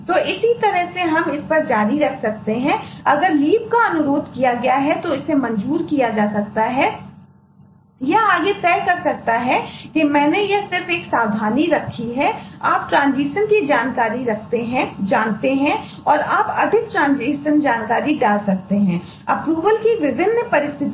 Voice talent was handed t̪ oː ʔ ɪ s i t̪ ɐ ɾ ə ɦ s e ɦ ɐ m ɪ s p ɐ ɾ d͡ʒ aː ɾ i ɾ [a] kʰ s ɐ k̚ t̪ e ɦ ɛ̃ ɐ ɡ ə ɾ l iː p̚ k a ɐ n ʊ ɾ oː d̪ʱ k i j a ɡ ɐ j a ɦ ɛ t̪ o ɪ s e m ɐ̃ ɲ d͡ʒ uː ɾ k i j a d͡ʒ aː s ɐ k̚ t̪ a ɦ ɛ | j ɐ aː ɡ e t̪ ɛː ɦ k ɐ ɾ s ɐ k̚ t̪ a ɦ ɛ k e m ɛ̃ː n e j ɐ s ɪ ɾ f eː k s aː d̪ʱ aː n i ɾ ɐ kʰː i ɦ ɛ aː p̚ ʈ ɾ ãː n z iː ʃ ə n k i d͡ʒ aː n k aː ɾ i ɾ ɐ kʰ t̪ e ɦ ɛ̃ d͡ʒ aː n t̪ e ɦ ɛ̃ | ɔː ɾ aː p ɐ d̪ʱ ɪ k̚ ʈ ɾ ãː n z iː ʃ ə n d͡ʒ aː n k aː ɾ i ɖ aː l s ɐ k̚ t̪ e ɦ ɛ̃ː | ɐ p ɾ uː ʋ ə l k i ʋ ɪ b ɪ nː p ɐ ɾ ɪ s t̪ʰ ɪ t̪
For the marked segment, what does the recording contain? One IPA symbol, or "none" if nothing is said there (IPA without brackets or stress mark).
ɐ